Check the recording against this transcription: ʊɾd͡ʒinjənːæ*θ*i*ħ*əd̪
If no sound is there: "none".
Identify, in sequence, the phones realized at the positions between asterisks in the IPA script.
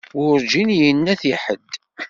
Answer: θ, ħ

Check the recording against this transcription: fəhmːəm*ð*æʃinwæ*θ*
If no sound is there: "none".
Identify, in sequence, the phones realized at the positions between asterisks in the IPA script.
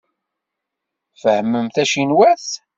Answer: θ, θ

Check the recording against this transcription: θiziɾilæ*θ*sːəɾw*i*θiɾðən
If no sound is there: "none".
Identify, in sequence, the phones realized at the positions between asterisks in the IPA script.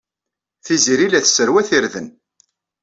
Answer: θ, æ

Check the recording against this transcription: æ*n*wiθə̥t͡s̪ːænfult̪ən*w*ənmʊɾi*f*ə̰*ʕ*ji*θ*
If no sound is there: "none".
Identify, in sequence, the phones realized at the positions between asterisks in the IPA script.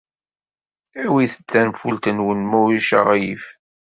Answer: none, w, ʃ, ʁ, f

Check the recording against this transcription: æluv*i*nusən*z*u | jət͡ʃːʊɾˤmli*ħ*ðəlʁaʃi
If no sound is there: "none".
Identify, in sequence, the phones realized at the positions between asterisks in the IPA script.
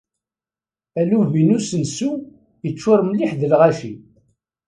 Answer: i, s, ħ

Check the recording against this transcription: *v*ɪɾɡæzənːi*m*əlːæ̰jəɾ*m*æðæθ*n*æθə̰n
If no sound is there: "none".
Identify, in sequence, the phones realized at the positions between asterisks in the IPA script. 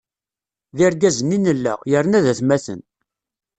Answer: ð, n, n, m

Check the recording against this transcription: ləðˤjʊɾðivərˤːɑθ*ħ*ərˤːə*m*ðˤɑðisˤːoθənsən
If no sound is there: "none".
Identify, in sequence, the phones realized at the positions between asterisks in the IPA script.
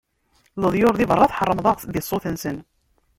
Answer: ħ, m

